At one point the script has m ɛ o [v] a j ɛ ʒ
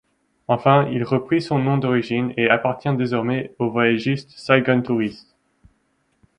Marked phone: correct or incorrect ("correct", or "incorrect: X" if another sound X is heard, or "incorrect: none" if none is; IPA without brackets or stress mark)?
correct